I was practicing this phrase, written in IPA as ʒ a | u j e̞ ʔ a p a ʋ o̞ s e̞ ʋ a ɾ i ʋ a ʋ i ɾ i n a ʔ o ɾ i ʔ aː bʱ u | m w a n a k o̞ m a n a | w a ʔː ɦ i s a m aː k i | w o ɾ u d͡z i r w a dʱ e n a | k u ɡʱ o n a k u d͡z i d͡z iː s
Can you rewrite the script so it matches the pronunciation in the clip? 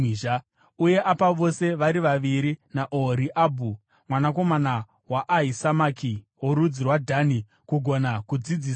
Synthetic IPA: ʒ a | u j e̞ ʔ a p a ʋ o̞ s e̞ ʋ a ɾ i ʋ a ʋ i ɾ i n a ʔ o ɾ i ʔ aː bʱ u | m w a n a k o̞ m a n a | w a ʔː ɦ i s a m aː k i | w o ɾ u d͡z i r w a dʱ a n i | k u ɡʱ o n a k u d͡z i d͡z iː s